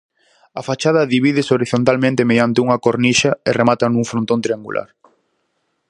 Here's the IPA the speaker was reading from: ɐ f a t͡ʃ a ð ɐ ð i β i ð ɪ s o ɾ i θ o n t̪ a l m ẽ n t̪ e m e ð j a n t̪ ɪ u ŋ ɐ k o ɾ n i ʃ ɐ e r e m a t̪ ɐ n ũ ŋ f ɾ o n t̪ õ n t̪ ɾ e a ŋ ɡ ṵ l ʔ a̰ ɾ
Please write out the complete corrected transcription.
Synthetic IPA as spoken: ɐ f a t͡ʃ a ð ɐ ð i β i ð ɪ s o ɾ i θ o n t̪ a l m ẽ n t̪ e m e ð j a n t̪ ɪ u ŋ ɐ k o ɾ n i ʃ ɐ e r e m a t̪ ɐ n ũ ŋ f ɾ o n t̪ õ n t̪ ɾ i a ŋ ɡ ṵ l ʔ a̰ ɾ

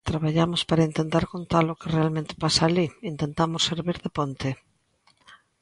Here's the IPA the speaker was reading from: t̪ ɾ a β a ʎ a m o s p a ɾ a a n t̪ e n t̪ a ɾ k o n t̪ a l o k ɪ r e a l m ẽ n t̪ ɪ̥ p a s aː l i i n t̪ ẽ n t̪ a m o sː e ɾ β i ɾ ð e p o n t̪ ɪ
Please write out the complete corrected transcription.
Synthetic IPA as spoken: t̪ ɾ a β a ʎ a m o s p a ɾ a i n t̪ e n t̪ a ɾ k o n t̪ a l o k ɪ r e a l m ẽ n t̪ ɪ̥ p a s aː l i i n t̪ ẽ n t̪ a m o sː e ɾ β i ɾ ð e p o n t̪ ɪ

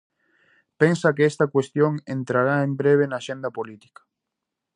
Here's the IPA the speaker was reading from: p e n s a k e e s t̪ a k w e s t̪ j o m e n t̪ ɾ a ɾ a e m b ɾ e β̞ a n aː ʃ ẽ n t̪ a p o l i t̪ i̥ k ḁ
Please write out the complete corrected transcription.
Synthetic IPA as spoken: p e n s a k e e s t̪ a k w e s t̪ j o ŋ e n t̪ ɾ a ɾ a e m b ɾ e β̞ e n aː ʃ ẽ n d̪ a p o l i t̪ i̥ k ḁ

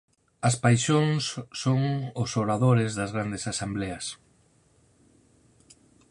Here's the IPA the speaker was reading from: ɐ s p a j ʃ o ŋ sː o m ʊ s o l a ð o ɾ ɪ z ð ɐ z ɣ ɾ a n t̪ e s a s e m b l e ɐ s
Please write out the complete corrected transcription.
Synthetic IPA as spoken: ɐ s p a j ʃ o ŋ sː o ŋ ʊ s o ɾ a ð o ɾ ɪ z ð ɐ z ɣ ɾ a n d̪ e s a s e m b l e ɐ s

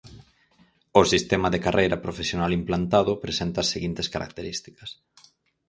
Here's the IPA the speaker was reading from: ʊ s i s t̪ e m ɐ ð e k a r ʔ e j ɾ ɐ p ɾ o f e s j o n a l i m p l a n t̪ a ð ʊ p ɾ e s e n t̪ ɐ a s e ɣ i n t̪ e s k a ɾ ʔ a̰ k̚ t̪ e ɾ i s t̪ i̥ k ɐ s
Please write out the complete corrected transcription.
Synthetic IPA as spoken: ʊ s i s t̪ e m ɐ ð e k a r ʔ e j ɾ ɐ p ɾ o f e s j o n a l i m p l a n t̪ a ð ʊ p ɾ e s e n t̪ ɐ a s e ɣ i n t̪ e s k a ɾ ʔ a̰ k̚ t̪ e ɾ i s t̪ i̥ k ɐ s

